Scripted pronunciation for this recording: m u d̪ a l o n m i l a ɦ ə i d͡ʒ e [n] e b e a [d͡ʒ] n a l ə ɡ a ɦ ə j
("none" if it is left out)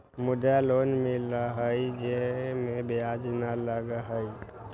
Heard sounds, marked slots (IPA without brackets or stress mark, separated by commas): m, d͡ʒ